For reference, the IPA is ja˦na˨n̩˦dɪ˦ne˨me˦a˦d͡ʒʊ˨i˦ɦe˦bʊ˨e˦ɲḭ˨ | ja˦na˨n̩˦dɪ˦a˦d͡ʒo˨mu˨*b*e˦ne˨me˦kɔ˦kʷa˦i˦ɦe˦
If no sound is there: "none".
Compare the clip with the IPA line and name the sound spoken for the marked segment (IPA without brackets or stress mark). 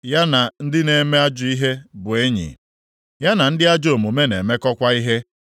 m